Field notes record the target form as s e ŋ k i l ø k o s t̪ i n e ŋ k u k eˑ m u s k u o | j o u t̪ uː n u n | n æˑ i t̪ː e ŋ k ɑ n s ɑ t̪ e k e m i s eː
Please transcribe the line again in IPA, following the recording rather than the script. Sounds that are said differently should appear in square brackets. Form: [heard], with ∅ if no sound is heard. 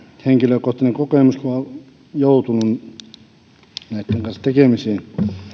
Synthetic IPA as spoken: [h] e ŋ k i l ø k o [h] t̪ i n e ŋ k [o] k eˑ m u s k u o | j o u t̪ [u] n u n | n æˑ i t̪ː e ŋ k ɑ n s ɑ t̪ e k e m i s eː